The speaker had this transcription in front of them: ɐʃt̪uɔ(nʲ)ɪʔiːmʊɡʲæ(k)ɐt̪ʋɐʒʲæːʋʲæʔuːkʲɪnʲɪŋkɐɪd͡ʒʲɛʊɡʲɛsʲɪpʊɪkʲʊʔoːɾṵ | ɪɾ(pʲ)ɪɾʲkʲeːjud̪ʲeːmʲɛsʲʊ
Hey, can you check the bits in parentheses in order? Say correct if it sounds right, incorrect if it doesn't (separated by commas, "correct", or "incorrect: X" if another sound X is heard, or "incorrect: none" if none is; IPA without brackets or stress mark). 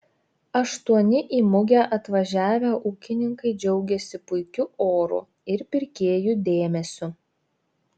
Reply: correct, incorrect: ʔ, correct